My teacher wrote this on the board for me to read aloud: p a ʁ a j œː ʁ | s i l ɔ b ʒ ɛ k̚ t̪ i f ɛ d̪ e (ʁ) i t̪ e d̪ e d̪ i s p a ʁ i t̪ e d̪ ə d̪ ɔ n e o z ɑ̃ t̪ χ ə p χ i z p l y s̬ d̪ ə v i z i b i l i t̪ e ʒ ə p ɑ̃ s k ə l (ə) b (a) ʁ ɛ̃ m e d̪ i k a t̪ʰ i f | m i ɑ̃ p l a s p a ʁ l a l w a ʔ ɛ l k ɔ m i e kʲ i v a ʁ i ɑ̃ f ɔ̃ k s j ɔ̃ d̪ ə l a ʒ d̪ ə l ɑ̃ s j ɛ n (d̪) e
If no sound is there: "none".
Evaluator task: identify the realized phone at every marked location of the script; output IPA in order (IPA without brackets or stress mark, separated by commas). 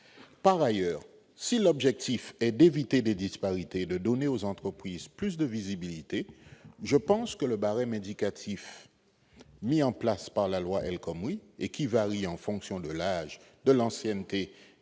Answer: v, ə, a, t̪